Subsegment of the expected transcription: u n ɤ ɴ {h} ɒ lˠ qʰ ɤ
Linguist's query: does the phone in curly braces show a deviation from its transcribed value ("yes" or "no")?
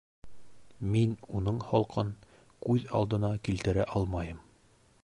no